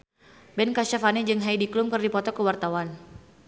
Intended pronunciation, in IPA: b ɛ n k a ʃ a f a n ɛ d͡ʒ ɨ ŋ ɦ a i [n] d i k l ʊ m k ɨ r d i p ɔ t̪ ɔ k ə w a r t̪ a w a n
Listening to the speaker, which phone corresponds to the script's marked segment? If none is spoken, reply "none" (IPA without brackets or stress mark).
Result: none